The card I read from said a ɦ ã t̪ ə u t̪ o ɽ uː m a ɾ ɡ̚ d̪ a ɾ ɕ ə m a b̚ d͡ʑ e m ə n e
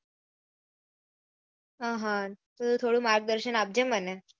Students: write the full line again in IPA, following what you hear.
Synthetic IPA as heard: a ɦ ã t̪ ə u t̪ʰ o ɽ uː m a ɾ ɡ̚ d̪ ə ɾ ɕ ə n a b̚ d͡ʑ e m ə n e